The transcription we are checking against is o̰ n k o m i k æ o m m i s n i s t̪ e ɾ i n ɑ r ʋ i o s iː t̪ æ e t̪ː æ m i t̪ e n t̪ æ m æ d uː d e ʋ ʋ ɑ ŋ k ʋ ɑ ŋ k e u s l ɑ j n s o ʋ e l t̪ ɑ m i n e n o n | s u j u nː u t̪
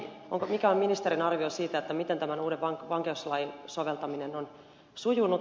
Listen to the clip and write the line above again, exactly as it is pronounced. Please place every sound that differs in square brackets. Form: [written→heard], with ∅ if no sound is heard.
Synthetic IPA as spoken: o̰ [n→ŋ] k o m i k æ o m m i [s→∅] n i s t̪ e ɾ i n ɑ r ʋ i o s iː t̪ æ e t̪ː æ m i t̪ e n t̪ æ m æ [d→n] uː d e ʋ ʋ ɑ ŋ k ʋ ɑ ŋ k e u s l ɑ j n s o ʋ e l t̪ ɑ m i n e n o n | s u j u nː u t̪

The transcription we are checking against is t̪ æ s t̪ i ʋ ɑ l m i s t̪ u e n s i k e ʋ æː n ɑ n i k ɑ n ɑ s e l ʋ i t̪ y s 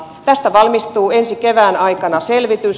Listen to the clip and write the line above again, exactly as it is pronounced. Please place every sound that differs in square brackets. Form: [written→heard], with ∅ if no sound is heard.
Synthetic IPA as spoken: t̪ æ s t̪ [i→æ] ʋ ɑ l m i s t̪ [u→uː] e n s i k e ʋ æː n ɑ [n→∅] i k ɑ n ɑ s e l ʋ i t̪ y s

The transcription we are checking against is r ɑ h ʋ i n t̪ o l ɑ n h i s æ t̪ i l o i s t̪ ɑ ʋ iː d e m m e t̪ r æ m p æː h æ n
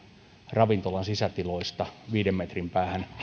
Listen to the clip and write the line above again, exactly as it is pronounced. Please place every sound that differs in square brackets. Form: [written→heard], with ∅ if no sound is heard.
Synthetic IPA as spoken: r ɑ [h→∅] ʋ i n t̪ o l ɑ n [h→s] i s æ t̪ i l o i s t̪ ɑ ʋ iː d e m m e t̪ r [æ→i] m p æː h æ n

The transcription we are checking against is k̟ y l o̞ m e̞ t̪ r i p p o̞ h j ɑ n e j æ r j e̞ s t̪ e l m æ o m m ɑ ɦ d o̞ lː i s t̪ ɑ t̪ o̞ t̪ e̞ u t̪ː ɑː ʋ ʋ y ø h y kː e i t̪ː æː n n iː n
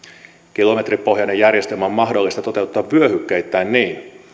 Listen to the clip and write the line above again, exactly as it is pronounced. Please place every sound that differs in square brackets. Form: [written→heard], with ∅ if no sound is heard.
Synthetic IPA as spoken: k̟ [y→i] l o̞ m e̞ t̪ r i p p o̞ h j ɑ n e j æ r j e̞ s t̪ e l m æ o m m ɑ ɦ d o̞ lː i s t̪ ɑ t̪ o̞ t̪ e̞ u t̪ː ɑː ʋ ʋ y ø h y kː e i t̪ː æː n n iː n

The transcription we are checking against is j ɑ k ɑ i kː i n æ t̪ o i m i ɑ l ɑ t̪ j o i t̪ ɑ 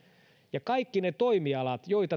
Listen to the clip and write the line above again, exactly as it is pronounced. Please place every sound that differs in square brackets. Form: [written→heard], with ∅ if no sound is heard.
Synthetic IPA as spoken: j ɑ k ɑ i kː i n [æ→e] t̪ o i m i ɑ l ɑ t̪ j o i t̪ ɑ

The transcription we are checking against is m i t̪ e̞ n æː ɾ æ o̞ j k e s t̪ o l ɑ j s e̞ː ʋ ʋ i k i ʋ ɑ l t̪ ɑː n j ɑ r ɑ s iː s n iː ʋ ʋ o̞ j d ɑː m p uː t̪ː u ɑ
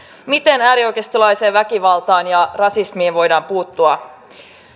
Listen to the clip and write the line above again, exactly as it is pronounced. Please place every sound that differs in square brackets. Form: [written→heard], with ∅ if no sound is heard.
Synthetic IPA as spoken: m i t̪ e̞ n æː ɾ [æ→i] o̞ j k e s t̪ o l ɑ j s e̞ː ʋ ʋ [i→æ] k i ʋ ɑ l t̪ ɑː n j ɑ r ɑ s [iː→i] s [n→m] iː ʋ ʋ o̞ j d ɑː m p uː t̪ː u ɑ

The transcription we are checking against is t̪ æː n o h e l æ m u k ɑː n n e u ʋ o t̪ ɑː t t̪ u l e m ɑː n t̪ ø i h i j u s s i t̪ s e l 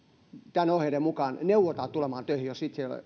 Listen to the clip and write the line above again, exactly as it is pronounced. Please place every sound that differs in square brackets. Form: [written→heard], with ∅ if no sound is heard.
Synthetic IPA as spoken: t̪ [æː→æ] n o h e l [æ→e] m u k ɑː n n e u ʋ o t̪ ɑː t t̪ u l e m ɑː n t̪ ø i h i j [u→o] s s i t̪ s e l

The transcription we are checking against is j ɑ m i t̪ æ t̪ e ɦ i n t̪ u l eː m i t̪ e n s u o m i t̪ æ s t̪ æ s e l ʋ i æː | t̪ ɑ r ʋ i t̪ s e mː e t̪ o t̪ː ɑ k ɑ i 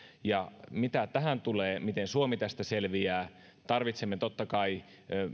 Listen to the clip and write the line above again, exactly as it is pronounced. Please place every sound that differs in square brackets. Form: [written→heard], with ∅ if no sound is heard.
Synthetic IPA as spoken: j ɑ m i t̪ æ t̪ [e→æ] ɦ [i→æ] n t̪ u l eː m i t̪ e n s u o m i t̪ æ s t̪ æ s e l ʋ i æː | t̪ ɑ r ʋ i t̪ s e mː e t̪ o t̪ː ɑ k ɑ i

